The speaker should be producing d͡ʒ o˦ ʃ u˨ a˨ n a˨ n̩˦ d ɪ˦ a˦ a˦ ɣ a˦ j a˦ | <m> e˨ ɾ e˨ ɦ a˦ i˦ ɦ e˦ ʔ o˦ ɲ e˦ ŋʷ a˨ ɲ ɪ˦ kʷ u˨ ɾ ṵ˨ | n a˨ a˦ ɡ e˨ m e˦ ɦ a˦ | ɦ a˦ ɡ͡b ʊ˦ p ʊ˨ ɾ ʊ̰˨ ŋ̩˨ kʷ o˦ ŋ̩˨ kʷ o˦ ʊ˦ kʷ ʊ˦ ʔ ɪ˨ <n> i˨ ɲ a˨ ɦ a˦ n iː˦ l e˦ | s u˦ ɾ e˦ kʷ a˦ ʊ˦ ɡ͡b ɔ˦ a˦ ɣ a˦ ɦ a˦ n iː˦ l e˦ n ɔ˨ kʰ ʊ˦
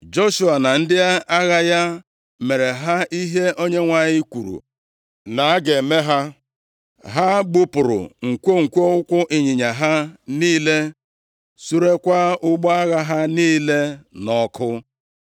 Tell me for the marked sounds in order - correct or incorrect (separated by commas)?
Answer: correct, incorrect